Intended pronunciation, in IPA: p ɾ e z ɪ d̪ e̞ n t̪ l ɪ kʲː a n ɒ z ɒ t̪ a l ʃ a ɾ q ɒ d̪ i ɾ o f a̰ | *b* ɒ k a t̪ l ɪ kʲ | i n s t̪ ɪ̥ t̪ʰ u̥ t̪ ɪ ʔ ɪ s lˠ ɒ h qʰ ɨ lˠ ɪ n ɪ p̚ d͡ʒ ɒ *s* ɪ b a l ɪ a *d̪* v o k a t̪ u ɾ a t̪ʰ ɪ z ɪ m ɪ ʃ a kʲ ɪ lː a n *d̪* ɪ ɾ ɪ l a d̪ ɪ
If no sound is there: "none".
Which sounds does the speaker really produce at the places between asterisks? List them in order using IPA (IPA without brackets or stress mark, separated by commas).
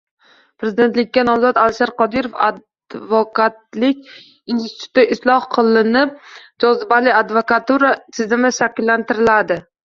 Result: v, z, d̪, t̪